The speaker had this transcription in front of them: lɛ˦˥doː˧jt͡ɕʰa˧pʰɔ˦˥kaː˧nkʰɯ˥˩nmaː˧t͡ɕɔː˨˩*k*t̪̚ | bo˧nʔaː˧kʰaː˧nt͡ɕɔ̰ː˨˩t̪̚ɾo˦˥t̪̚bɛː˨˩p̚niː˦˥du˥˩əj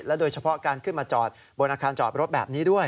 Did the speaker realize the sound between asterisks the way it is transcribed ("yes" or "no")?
no